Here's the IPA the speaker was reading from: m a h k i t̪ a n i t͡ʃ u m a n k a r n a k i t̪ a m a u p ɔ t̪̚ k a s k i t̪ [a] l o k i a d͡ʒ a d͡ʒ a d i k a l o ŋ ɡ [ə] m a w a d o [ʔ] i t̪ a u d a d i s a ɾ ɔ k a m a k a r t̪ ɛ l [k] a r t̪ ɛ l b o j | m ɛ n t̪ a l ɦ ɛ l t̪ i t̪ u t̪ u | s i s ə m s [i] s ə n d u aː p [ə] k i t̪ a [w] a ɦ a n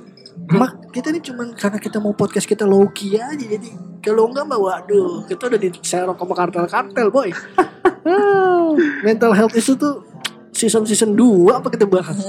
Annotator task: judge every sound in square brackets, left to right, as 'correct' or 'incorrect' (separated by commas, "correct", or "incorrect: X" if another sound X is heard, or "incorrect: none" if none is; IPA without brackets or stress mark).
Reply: correct, incorrect: a, incorrect: k, correct, correct, incorrect: a, incorrect: b